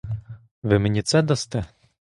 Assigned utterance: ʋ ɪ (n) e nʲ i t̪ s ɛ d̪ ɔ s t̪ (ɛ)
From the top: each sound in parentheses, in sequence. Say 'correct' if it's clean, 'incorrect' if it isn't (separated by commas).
incorrect, correct